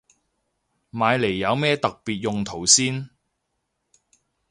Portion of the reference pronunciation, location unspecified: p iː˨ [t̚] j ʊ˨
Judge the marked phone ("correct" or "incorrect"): correct